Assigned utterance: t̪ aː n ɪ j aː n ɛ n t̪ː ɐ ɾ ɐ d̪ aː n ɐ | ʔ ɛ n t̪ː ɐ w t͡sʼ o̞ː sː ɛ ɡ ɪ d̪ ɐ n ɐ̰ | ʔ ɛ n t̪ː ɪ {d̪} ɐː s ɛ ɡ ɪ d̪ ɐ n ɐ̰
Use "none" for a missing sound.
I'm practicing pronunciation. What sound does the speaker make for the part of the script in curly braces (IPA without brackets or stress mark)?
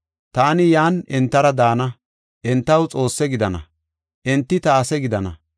t̪